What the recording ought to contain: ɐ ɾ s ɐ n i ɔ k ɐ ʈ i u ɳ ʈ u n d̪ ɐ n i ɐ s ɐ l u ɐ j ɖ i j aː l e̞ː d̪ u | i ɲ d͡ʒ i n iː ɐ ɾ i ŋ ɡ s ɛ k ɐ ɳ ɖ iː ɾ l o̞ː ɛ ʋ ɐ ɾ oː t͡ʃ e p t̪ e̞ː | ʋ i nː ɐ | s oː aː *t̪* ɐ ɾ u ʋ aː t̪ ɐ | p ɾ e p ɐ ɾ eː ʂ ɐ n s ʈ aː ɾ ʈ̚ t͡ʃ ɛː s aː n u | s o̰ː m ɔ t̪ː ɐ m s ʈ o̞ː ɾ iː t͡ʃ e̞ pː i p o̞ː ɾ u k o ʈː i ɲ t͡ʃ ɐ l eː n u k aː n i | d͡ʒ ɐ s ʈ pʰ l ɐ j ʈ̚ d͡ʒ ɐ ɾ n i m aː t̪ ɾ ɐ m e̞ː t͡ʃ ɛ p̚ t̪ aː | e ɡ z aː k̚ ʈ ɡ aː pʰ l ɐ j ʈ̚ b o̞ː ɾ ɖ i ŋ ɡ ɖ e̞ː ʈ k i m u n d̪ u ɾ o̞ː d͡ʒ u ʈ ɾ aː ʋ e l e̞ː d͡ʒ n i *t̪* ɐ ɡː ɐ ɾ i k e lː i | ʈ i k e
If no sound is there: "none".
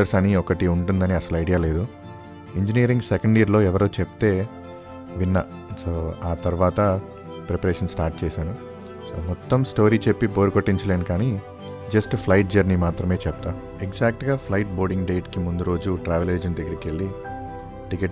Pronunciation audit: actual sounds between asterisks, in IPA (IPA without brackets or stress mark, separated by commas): t̪, d̪